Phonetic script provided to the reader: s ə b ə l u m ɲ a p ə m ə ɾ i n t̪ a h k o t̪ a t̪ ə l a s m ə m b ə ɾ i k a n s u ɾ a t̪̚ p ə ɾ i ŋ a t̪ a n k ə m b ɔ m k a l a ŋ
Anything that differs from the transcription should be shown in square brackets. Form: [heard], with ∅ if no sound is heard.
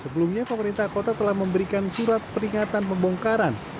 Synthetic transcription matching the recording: s ə b ə l u m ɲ a p ə m ə ɾ i n t̪ a h k o t̪ a t̪ ə l a [h] m ə m b ə ɾ i k a n s u ɾ a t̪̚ p ə ɾ i ŋ a t̪ a n [p] ə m b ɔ [ŋ] k a [ɾ] a [n]

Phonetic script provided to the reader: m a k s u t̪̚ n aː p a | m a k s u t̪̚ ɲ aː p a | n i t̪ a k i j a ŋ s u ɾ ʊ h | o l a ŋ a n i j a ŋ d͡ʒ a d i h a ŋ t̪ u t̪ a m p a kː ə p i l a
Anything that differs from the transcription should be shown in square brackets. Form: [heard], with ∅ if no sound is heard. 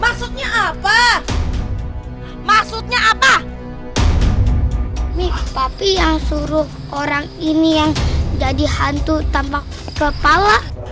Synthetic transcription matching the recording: m a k s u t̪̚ [ɲ] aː p a | m a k s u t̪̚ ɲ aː p a | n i t̪ a [p] i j a ŋ s u ɾ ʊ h | o [ɾ] a ŋ [i] n i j a ŋ d͡ʒ a d i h a [n] t̪ u t̪ a m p a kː ə p [a] l a

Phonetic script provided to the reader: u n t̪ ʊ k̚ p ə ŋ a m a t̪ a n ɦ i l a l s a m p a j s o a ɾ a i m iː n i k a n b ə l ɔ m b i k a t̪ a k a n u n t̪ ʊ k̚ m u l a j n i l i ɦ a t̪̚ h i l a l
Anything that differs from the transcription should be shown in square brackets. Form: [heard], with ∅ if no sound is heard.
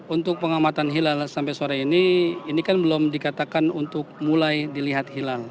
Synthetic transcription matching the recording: u n t̪ ʊ k̚ p ə ŋ a m a t̪ a n ɦ i l a l s a m p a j s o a ɾ a i [n] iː n i k a n b ə l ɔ m [d] i k a t̪ a k a n u n t̪ ʊ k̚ m u l a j [d] i l i ɦ a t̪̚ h i l a l

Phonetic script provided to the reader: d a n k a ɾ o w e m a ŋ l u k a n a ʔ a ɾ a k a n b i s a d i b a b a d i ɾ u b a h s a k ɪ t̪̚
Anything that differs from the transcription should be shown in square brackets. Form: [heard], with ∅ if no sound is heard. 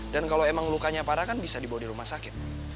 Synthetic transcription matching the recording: d a n k a [l] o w e m a ŋ l u k a [ɲ] a [p] a ɾ a k a n b i s a d i b a [w] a d i ɾ u [m] a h s a k ɪ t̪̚

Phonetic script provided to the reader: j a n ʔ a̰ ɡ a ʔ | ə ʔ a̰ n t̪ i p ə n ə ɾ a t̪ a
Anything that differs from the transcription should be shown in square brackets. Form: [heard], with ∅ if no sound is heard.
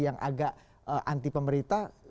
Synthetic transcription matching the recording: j a [ŋ] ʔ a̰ ɡ a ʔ | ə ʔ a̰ n t̪ i p ə [m] ə ɾ [i] t̪ a

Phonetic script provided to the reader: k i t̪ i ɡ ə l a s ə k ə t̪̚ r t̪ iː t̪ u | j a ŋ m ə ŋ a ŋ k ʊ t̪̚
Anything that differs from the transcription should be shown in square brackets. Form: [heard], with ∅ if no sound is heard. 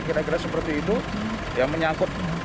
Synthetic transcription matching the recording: k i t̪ [a] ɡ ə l a s ə [p] ə [∅] r t̪ iː t̪ u | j a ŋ m ə [ɲ] a ŋ k ʊ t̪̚

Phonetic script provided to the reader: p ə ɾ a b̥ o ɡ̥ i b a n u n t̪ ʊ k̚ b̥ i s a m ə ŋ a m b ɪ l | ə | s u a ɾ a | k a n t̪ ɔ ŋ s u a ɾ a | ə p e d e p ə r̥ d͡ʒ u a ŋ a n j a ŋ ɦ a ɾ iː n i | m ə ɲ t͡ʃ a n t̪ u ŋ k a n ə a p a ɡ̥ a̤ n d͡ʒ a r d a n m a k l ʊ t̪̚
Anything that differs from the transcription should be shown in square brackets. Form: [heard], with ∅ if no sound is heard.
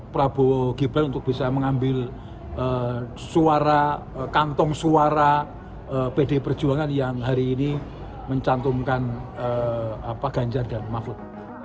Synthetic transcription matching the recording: p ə ɾ a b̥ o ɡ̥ i b a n u n t̪ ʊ k̚ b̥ i s a m ə ŋ a m b ɪ l | ə | s u a ɾ a | k a n t̪ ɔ ŋ s u a ɾ a | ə p e d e p ə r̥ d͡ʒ u a ŋ a n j a ŋ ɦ a ɾ iː n i | m ə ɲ t͡ʃ a n t̪ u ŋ k a n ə a p a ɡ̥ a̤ [ɲ] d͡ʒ a r d a n m a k l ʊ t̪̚

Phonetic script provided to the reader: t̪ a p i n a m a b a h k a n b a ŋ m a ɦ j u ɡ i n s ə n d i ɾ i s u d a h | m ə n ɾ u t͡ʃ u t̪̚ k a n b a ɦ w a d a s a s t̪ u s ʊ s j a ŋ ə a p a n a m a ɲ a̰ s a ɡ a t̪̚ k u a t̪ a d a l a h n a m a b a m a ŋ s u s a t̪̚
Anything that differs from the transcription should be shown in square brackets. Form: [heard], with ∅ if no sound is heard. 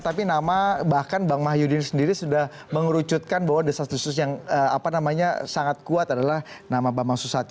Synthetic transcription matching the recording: t̪ a p i n a m a b a h k a n b a ŋ m a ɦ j u [d] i n s ə n d i ɾ i s u d a h | m ə [ŋ] ɾ u t͡ʃ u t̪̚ k a n b a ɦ w a d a s a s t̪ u s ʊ s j a ŋ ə a p a n a m a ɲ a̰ s a [ŋ] a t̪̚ k u a t̪ a d a l a h n a m a b a m a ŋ s u s a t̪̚

